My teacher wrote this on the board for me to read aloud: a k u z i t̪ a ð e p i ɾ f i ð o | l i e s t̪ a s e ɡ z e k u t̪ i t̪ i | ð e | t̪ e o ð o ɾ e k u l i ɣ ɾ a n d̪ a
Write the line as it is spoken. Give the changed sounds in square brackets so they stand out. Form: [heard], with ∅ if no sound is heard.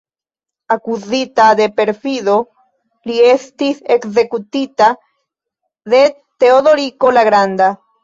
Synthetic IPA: a k u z i t̪ a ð e p [e] ɾ f i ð o | l i e s t̪ [i] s e [k] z e k u t̪ i t̪ [a] | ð e | t̪ e o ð o ɾ [i] k [o] l [a] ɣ ɾ a n d̪ a